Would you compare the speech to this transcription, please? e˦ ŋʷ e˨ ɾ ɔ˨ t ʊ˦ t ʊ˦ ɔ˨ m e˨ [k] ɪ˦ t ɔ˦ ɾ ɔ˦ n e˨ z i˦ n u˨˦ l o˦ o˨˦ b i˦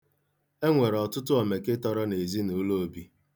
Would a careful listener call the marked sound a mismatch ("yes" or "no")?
no